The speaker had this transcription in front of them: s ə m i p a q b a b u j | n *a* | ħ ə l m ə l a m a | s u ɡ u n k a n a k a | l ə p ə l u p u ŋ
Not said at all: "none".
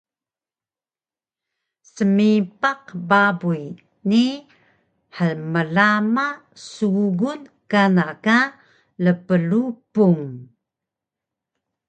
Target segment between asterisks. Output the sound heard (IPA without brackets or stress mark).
i